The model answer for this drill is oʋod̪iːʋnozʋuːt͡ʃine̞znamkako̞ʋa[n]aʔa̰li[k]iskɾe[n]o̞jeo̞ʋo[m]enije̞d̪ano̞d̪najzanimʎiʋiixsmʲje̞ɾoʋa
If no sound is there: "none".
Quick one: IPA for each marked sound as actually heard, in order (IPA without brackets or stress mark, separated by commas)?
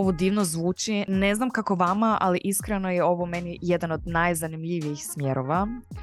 m, ʔ, n, m